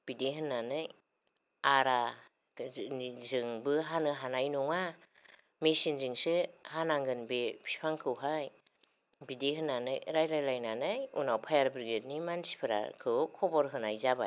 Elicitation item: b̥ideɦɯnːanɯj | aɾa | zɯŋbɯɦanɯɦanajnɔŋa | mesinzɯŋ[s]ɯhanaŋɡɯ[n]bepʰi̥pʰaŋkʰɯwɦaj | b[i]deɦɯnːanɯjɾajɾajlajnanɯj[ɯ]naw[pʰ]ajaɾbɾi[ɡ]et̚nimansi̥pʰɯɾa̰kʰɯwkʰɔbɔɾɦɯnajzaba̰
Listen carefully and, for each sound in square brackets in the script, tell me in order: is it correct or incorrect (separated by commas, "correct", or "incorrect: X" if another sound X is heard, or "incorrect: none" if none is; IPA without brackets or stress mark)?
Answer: correct, correct, correct, incorrect: u, correct, correct